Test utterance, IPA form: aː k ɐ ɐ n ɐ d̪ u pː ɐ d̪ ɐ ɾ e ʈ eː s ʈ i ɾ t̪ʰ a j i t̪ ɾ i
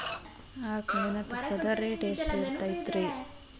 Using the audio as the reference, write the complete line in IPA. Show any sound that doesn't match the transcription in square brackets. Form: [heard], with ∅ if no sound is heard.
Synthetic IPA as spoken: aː k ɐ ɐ n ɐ [t̪] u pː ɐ d̪ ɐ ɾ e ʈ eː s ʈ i ɾ [t̪] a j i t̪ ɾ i